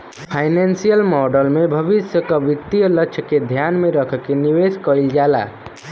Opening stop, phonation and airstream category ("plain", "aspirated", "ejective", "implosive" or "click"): aspirated